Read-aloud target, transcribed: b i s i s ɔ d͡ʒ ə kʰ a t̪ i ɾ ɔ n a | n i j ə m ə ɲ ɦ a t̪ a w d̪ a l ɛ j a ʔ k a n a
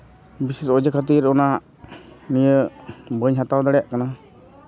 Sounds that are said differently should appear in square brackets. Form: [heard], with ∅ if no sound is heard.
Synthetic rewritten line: b i s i s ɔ d͡ʒ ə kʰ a t̪ i ɾ ɔ n a | n i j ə [b] ə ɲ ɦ a t̪ a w d̪ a [ɽ] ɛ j a ʔ k a n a